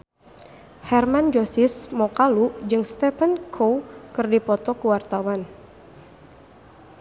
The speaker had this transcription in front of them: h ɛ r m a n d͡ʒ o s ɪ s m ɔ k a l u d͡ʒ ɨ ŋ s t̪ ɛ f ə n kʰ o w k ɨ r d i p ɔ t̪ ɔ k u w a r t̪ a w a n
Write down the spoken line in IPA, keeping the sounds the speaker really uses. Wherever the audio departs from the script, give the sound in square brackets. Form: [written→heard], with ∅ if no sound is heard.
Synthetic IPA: h ɛ r m a n d͡ʒ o s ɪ s m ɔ k a l u d͡ʒ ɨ ŋ s t̪ ɛ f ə n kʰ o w k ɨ r d i p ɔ t̪ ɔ k u w a r t̪ a w a n